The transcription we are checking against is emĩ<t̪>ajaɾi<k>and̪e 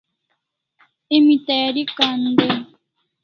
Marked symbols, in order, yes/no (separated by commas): yes, yes